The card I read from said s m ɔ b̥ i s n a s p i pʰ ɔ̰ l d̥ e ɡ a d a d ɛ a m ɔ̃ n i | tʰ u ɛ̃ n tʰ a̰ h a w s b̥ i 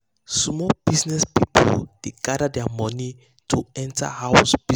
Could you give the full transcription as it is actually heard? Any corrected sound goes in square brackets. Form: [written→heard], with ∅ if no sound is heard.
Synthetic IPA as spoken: s m ɔ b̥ i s n [a→ɛ] s p i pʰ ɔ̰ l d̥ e ɡ a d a d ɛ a m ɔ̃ n i | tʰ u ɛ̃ n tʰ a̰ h a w s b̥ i